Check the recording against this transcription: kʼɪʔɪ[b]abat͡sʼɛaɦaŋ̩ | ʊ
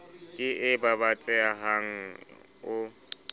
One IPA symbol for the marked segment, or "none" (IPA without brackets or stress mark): b